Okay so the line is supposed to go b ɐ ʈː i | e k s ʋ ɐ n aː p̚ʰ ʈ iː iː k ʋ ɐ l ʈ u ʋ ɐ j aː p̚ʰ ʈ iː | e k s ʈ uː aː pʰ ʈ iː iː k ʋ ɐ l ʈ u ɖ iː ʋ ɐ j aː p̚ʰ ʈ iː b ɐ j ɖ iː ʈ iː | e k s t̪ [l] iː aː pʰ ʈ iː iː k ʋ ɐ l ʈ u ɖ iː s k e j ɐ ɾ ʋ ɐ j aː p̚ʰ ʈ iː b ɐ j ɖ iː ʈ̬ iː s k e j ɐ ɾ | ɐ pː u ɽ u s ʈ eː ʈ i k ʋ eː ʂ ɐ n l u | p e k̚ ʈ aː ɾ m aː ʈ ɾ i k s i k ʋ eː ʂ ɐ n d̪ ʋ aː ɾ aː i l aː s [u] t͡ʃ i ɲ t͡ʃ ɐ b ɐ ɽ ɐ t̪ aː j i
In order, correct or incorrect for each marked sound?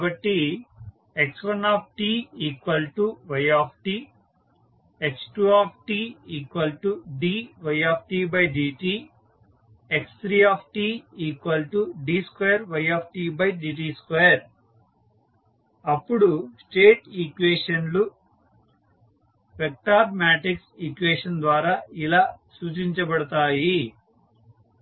incorrect: ɾ, incorrect: uː

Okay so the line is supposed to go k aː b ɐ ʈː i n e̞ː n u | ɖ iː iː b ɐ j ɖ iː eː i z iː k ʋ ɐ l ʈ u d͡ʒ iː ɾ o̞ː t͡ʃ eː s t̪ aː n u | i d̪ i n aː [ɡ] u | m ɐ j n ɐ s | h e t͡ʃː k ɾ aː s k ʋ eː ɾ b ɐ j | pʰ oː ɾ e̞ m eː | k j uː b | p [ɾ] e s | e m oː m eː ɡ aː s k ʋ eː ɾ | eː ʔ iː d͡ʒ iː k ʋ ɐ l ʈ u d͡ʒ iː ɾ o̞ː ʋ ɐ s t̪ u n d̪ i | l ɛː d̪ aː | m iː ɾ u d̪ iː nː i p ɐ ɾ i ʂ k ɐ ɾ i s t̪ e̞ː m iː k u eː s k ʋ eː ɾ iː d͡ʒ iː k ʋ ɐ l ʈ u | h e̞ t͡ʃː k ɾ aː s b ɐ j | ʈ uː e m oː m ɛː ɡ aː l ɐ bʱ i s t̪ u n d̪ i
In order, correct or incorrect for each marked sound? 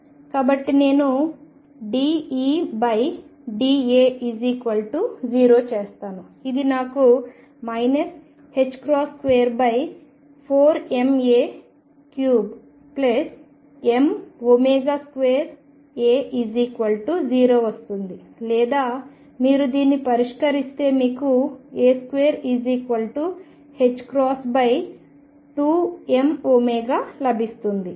incorrect: k, incorrect: l

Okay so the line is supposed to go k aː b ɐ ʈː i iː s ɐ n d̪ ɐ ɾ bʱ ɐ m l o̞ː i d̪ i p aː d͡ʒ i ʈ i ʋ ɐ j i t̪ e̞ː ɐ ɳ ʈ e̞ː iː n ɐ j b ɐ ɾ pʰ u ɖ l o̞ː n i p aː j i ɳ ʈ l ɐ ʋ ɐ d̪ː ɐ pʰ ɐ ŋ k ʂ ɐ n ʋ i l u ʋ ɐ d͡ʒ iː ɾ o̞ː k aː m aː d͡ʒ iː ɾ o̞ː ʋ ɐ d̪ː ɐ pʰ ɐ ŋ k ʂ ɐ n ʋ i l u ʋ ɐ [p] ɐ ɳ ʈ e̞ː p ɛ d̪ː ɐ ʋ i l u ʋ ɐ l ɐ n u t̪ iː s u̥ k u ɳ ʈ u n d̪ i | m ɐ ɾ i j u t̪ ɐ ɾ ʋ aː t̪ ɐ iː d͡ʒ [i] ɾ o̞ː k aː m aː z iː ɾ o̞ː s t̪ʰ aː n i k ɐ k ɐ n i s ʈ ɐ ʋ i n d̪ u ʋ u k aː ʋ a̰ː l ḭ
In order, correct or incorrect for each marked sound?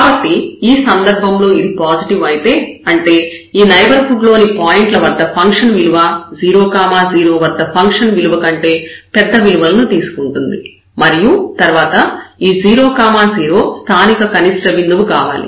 incorrect: k, incorrect: iː

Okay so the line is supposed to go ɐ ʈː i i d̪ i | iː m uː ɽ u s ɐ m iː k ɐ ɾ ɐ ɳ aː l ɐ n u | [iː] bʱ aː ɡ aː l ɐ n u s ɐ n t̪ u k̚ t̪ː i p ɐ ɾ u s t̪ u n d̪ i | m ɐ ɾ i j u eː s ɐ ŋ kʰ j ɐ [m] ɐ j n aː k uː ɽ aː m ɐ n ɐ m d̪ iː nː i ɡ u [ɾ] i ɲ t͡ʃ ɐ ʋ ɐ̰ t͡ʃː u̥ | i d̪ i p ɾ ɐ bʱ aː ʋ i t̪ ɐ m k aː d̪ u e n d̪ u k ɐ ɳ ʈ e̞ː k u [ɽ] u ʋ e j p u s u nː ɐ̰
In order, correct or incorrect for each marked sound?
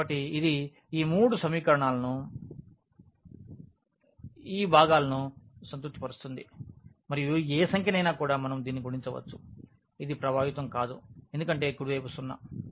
correct, incorrect: n, incorrect: ɽ, correct

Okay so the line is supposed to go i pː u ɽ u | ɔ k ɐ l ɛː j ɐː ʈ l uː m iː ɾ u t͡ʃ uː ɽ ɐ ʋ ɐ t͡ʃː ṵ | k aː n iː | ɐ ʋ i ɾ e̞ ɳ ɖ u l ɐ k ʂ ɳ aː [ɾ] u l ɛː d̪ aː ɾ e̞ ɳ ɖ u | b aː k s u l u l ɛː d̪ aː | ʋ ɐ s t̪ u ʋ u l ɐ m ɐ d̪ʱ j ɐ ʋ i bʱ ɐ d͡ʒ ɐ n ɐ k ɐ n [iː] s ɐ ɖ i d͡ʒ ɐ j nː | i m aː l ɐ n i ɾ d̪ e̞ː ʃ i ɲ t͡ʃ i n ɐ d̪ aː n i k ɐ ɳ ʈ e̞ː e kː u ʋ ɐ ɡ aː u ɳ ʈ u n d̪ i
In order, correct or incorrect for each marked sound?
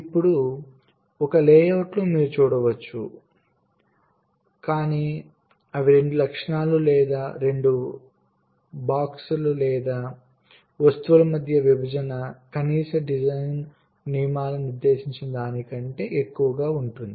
incorrect: l, correct

